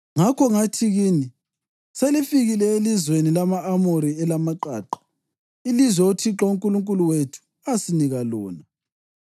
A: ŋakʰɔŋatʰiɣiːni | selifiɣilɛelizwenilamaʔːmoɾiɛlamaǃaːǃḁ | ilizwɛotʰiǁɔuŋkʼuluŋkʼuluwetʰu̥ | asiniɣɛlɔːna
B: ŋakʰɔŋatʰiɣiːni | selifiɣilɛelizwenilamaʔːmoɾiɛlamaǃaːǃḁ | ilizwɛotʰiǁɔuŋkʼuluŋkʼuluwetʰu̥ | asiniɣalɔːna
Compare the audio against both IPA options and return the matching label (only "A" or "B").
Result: B